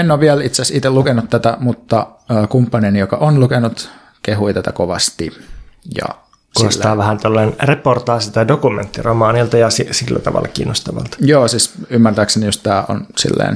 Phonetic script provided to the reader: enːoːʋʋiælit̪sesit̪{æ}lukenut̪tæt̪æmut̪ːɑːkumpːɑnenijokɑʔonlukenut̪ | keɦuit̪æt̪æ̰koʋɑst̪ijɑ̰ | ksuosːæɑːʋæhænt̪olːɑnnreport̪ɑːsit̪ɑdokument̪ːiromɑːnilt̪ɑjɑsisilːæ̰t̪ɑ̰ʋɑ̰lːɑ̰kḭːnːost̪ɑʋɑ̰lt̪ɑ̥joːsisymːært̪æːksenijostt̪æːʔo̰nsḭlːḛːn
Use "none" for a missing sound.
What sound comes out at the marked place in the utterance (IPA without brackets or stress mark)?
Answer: e